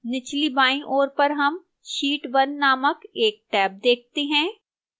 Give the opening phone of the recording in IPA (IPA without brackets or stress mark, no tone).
n